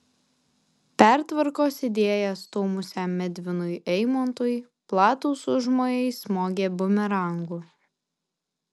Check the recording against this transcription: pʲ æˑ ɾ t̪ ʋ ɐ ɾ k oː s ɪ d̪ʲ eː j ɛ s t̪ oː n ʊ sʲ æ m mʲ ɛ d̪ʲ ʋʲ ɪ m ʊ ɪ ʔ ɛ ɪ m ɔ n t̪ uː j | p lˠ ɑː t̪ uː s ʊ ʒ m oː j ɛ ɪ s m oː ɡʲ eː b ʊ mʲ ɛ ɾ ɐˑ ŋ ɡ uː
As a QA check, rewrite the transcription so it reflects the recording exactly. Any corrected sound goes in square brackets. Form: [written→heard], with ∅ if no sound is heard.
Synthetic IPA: pʲ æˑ ɾ t̪ ʋ ɐ ɾ k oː s ɪ d̪ʲ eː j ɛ s t̪ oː [n→m] ʊ sʲ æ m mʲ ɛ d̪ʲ ʋʲ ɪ [m→n] ʊ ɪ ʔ ɛ ɪ m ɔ n t̪ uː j | p lˠ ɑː t̪ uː s ʊ ʒ m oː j ɛ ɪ s m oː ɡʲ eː b ʊ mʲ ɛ ɾ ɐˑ ŋ ɡ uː

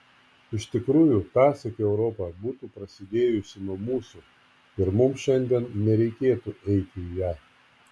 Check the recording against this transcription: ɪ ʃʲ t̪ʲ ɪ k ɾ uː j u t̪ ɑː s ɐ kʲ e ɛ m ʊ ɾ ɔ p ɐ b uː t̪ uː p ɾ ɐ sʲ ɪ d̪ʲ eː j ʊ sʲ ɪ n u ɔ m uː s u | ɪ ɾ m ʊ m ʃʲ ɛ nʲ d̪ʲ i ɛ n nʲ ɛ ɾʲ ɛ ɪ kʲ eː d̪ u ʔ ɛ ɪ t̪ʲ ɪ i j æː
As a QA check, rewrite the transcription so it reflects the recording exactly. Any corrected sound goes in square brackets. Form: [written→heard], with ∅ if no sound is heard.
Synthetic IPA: ɪ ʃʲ t̪ʲ ɪ k ɾ uː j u t̪ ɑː s ɐ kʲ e ɛ [m→∅] ʊ ɾ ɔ p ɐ b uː t̪ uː p ɾ ɐ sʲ ɪ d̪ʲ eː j ʊ sʲ ɪ n u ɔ m uː s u | ɪ ɾ m ʊ m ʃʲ ɛ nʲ d̪ʲ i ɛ n nʲ ɛ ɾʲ ɛ ɪ kʲ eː [d̪→t̪] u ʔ ɛ ɪ t̪ʲ ɪ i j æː

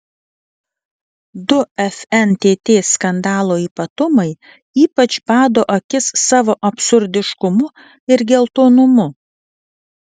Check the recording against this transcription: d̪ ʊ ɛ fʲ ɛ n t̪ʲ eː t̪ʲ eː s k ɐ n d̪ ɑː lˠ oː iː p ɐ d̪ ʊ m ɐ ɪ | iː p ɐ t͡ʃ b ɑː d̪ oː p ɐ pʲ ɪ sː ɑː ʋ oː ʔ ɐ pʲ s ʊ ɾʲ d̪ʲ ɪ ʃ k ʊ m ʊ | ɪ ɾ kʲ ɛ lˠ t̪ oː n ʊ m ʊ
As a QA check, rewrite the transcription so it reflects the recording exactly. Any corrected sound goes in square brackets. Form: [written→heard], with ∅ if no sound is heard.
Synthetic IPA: d̪ ʊ ɛ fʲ ɛ n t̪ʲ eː t̪ʲ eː s k ɐ n d̪ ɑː lˠ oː iː p ɐ [d̪→t̪] ʊ m ɐ ɪ | iː p ɐ t͡ʃ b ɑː d̪ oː [p→ʔ] ɐ [pʲ→kʲ] ɪ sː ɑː ʋ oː ʔ ɐ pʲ s ʊ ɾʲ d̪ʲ ɪ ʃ k ʊ m ʊ | ɪ ɾ [kʲ→ɡʲ] ɛ lˠ t̪ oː n ʊ m ʊ

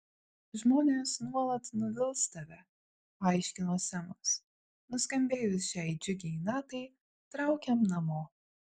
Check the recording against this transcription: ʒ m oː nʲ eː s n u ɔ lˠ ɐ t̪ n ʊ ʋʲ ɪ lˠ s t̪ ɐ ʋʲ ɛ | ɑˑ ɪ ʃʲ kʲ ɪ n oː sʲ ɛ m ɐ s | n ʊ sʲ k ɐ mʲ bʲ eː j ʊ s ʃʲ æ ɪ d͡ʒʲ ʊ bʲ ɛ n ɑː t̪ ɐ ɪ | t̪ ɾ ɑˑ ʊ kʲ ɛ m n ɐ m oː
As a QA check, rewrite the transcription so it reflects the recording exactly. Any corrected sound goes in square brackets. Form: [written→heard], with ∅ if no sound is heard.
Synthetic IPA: ʒ m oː nʲ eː s n u ɔ lˠ ɐ t̪ n ʊ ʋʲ ɪ lˠ s t̪ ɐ ʋʲ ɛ | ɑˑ ɪ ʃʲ kʲ ɪ n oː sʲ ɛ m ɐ s | n ʊ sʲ k ɐ mʲ bʲ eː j ʊ s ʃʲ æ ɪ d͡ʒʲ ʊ [bʲ→ɡʲ] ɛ n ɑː t̪ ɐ ɪ | t̪ ɾ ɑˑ ʊ kʲ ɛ m n ɐ m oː

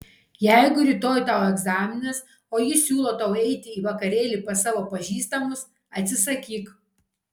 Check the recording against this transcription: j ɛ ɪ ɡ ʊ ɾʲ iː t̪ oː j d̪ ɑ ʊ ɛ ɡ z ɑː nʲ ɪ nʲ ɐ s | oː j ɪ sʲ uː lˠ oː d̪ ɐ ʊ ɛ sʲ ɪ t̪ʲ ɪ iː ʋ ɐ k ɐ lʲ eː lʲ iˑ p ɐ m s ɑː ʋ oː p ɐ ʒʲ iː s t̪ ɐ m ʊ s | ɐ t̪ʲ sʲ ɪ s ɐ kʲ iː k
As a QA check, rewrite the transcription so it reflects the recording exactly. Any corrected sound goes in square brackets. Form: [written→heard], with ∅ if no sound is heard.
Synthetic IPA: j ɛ ɪ ɡ ʊ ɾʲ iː t̪ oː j [d̪→t̪] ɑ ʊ ɛ ɡ z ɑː [nʲ→mʲ] ɪ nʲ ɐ s | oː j ɪ sʲ uː lˠ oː [d̪→t̪] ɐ ʊ ɛ [sʲ→∅] ɪ t̪ʲ ɪ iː ʋ ɐ k ɐ [lʲ→ɾʲ] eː lʲ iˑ p ɐ [m→∅] s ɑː ʋ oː p ɐ ʒʲ iː s t̪ ɐ m ʊ s | ɐ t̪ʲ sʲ ɪ s ɐ kʲ iː k

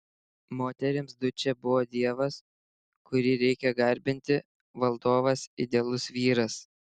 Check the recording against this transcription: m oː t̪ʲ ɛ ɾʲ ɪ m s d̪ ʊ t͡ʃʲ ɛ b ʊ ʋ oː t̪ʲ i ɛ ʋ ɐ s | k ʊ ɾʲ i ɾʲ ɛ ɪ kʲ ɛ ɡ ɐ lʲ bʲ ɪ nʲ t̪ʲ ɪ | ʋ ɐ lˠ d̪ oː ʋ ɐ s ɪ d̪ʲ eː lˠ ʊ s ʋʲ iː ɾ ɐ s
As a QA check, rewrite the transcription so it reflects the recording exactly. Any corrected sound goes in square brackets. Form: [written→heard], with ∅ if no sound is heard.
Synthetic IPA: m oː t̪ʲ ɛ ɾʲ ɪ m s d̪ ʊ t͡ʃʲ ɛ b ʊ ʋ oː [t̪ʲ→d̪ʲ] i ɛ ʋ ɐ s | k ʊ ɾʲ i ɾʲ ɛ ɪ kʲ ɛ ɡ ɐ [lʲ→ɾʲ] bʲ ɪ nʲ t̪ʲ ɪ | ʋ ɐ lˠ d̪ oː ʋ ɐ s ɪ d̪ʲ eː lˠ ʊ s ʋʲ iː ɾ ɐ s

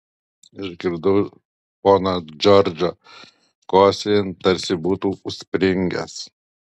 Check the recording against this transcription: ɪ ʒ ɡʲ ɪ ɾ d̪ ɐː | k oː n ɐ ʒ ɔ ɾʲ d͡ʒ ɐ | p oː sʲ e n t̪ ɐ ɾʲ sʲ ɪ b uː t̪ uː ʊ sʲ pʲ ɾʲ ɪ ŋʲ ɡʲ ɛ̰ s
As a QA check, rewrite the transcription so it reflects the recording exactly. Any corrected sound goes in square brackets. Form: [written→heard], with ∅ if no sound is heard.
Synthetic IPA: ɪ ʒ ɡʲ ɪ ɾ d̪ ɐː | [k→p] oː n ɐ [ʒ→d͡ʒ] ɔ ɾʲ d͡ʒ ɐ | [p→k] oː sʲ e n t̪ ɐ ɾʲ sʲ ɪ b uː t̪ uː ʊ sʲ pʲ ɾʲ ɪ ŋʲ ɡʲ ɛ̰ s

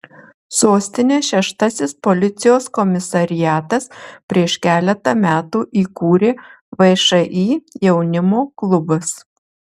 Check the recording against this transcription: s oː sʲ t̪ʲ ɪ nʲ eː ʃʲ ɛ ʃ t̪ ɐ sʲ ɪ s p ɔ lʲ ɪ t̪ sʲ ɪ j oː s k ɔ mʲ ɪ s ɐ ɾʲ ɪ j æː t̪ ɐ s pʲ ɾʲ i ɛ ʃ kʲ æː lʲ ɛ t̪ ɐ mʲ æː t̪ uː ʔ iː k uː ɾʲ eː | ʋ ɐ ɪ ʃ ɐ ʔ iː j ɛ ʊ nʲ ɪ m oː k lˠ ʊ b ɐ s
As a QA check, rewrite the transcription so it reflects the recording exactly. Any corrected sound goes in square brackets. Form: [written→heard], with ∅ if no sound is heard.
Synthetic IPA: s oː sʲ t̪ʲ ɪ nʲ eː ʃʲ ɛ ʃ t̪ ɐ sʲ ɪ s p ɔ lʲ ɪ t̪ sʲ ɪ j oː s k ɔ mʲ ɪ s ɐ ɾʲ ɪ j æː t̪ ɐ s pʲ ɾʲ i ɛ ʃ kʲ æː lʲ ɛ t̪ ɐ mʲ æː t̪ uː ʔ iː k uː ɾʲ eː | ʋ ɐ ɪ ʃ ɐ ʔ iː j ɛ ʊ nʲ ɪ m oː k lˠ ʊ b ɐ s

